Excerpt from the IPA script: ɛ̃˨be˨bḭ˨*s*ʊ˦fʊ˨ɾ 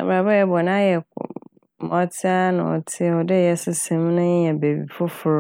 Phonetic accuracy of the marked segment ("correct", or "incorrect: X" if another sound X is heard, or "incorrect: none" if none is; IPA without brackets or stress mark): incorrect: f